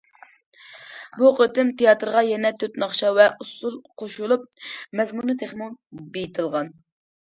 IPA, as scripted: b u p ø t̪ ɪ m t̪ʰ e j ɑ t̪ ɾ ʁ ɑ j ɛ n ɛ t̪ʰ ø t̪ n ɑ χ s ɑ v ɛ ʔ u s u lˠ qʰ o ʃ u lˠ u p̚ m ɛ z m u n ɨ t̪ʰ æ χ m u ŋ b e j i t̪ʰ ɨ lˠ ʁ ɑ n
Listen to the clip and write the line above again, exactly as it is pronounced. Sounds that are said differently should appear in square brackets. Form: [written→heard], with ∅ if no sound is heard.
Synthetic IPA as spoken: b u [p→q] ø t̪ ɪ m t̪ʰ e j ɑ t̪ ɾ ʁ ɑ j ɛ n ɛ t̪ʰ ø t̪ n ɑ χ [s→ʃ] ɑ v ɛ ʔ u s u lˠ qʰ o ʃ u lˠ u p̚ m ɛ z m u n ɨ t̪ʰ [æ→e] χ m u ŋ b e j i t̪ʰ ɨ lˠ ʁ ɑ n